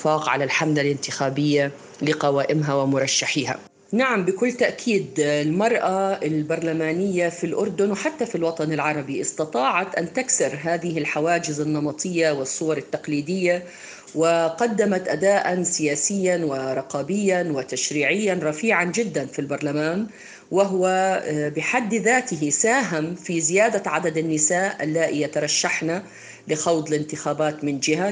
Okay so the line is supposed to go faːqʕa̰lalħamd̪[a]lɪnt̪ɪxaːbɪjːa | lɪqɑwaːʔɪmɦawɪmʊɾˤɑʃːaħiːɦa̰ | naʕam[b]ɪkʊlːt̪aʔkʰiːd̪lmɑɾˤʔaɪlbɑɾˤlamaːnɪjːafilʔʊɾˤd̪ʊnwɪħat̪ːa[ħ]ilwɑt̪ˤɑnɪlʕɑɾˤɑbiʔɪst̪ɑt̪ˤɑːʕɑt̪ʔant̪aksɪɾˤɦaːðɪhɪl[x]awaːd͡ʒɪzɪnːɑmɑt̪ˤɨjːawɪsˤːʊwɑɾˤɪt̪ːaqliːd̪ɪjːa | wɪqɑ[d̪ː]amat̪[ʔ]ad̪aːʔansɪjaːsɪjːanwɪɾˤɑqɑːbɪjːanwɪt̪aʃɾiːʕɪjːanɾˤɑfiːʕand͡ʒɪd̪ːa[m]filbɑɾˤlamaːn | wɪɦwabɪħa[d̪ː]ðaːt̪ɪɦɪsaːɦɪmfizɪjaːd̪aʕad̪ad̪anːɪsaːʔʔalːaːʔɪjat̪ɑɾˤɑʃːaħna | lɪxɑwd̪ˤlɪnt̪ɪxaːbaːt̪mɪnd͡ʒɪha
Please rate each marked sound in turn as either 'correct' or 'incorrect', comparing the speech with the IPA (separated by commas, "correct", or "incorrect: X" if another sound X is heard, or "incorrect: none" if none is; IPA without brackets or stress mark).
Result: correct, correct, incorrect: f, incorrect: ħ, correct, correct, incorrect: n, correct